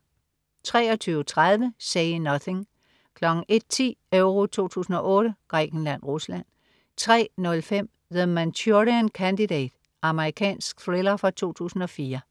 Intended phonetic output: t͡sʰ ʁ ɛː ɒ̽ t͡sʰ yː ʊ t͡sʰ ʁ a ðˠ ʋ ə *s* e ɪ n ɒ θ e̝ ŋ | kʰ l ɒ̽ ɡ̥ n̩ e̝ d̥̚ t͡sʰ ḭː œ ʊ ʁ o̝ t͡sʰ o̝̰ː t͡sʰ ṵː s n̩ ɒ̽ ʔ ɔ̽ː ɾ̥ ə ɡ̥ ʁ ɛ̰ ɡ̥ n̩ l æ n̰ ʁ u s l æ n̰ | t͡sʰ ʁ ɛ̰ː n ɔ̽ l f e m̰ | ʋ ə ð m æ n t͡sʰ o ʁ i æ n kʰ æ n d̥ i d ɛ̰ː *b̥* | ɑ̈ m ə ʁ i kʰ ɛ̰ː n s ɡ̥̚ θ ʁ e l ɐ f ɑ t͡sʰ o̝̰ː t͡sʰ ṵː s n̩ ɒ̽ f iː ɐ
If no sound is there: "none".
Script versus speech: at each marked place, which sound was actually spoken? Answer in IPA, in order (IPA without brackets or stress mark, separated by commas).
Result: s, d̥